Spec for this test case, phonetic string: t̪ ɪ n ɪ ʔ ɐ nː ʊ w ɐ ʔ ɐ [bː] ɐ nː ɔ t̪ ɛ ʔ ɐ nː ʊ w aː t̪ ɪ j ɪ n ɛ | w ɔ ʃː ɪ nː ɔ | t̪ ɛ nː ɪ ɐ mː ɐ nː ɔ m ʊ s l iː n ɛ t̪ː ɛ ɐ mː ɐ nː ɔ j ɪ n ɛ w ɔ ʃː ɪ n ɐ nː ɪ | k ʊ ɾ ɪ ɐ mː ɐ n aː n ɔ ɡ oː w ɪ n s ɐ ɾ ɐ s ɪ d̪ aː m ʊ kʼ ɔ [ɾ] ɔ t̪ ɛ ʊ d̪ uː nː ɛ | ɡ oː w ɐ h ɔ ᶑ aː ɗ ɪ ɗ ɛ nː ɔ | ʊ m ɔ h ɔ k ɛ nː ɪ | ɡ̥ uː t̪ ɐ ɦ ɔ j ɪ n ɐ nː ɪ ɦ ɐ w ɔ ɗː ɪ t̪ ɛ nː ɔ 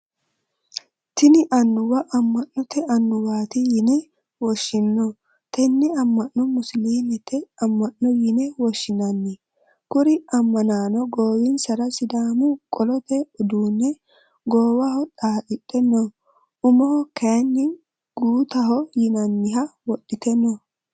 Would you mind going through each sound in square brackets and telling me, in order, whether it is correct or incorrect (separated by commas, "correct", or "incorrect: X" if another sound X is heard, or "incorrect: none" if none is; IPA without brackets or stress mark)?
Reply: incorrect: mː, incorrect: l